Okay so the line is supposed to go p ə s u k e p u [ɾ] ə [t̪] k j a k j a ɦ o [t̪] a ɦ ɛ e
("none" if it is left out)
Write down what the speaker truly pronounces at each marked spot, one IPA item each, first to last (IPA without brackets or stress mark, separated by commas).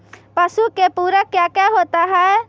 ɾ, none, t̪